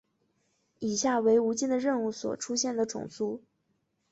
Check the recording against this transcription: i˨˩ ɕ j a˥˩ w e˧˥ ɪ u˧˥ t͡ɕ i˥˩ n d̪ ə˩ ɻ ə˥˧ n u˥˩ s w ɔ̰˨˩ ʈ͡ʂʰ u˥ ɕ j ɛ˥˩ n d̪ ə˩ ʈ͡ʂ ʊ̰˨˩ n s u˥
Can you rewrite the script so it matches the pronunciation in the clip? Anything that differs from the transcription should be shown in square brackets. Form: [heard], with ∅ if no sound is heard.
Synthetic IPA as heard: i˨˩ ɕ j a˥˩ w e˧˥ ɪ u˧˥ t͡ɕ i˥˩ n d̪ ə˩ ɻ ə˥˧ n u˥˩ s w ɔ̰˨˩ ʈ͡ʂʰ u˥ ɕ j ɛ˥˩ n d̪ ə˩ ʈ͡ʂ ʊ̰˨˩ [ŋ] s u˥